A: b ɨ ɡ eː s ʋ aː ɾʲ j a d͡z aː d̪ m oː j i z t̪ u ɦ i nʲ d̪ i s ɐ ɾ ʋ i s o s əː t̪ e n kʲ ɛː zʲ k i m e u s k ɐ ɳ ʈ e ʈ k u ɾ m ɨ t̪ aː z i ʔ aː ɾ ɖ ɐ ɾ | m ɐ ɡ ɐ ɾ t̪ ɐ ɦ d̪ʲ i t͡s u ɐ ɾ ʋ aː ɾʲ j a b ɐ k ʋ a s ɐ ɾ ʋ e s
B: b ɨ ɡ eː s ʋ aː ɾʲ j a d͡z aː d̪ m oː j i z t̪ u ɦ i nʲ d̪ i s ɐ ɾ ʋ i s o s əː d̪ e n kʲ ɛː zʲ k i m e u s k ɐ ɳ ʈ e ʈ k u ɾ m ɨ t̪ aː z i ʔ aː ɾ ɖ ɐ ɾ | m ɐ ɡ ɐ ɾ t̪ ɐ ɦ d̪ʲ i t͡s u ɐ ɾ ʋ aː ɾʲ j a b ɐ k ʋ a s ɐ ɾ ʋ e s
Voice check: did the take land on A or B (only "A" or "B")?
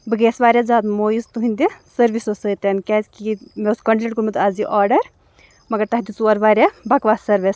A